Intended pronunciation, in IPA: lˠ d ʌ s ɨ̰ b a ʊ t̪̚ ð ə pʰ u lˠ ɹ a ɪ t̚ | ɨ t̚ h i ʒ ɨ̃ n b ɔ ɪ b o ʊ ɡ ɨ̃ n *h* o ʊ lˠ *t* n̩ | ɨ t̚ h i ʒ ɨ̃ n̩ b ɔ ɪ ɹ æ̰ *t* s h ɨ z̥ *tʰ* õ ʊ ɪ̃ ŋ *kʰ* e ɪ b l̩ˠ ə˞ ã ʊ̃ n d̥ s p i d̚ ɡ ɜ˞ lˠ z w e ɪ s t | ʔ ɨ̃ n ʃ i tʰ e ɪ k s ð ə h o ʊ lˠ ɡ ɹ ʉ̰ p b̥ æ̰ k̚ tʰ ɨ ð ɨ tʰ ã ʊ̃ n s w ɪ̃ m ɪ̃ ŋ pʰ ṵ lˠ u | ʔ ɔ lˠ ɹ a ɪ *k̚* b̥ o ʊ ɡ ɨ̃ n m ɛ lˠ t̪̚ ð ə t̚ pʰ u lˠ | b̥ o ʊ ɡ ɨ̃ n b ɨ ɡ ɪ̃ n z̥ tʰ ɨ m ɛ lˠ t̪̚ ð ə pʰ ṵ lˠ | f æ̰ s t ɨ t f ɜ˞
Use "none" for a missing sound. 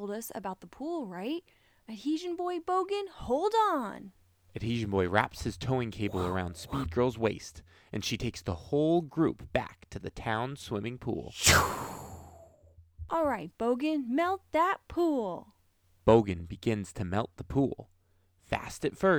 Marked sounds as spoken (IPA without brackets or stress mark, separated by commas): h, d, p, tʰ, kʰ, t̚